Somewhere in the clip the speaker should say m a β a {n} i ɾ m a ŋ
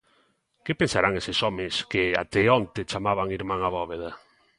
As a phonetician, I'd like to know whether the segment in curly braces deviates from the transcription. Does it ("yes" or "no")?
yes